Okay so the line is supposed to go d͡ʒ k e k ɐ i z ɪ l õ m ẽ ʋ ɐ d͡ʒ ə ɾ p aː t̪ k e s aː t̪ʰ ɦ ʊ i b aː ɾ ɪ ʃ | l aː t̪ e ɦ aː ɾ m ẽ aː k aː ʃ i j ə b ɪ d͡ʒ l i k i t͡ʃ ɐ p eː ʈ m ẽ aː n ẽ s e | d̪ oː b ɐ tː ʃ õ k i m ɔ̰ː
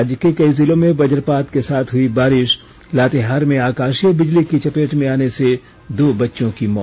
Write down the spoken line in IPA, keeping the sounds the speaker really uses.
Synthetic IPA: d͡ʒ k e k ɐ i z ɪ l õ m ẽ ʋ ɐ d͡ʒ ə ɾ p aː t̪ k e s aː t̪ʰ ɦ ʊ i b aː ɾ ɪ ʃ | l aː t̪ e ɦ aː ɾ m ẽ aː k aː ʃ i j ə b ɪ d͡ʒ l i k i t͡ʃ ɐ p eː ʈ m ẽ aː n e s e | d̪ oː b ɐ tː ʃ õ k i m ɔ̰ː